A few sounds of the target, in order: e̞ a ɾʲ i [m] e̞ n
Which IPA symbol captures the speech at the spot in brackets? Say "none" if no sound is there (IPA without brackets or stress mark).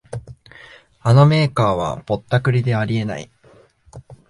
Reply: none